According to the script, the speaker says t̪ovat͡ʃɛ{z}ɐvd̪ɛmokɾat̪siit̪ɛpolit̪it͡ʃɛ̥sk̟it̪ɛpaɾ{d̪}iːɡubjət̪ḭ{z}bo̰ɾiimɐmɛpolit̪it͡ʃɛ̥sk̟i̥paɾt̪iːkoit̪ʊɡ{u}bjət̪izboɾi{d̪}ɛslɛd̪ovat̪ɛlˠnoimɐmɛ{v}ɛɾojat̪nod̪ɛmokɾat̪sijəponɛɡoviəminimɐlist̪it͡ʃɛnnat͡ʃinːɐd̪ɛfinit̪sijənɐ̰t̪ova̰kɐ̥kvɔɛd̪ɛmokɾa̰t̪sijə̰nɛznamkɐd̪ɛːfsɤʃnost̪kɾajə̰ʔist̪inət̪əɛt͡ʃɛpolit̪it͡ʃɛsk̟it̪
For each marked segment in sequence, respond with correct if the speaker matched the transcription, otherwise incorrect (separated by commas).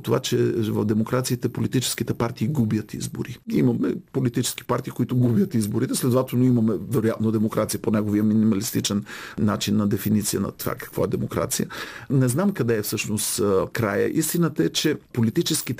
incorrect, incorrect, correct, correct, incorrect, correct